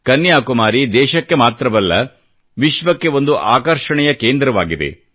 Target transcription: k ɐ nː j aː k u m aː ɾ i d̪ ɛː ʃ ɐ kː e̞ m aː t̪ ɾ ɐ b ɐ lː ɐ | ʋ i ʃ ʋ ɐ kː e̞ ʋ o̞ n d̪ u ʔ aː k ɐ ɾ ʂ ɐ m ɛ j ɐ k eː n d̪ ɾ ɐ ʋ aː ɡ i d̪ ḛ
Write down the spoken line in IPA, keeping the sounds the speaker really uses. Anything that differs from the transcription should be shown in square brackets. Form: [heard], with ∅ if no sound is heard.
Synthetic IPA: k ɐ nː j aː k u m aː ɾ i d̪ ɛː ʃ ɐ kː e̞ m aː t̪ ɾ ɐ b ɐ lː ɐ | ʋ i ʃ ʋ ɐ kː e̞ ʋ o̞ n d̪ u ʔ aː k ɐ ɾ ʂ ɐ [ɳ] ɛ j ɐ k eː n d̪ ɾ ɐ ʋ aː ɡ i d̪ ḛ